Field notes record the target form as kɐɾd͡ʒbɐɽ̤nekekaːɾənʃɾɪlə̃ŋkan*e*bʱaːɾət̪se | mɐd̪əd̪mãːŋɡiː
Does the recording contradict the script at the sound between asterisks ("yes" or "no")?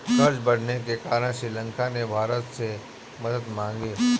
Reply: no